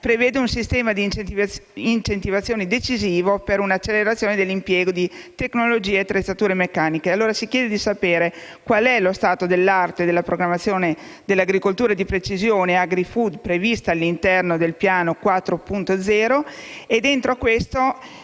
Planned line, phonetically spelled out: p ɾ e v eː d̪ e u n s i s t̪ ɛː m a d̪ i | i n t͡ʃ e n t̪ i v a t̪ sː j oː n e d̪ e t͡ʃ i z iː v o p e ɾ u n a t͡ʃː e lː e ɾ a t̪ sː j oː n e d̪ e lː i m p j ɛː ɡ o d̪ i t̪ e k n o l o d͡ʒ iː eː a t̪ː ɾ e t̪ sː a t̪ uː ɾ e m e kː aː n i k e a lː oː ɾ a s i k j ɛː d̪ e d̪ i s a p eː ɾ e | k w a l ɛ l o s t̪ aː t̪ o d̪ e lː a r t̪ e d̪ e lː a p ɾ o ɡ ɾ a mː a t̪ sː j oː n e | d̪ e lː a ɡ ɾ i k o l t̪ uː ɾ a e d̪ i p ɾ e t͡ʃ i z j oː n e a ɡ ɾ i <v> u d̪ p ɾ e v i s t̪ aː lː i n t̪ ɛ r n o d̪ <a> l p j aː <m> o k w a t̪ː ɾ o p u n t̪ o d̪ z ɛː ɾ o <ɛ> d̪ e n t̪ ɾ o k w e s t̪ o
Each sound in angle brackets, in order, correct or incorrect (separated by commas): incorrect, incorrect, incorrect, incorrect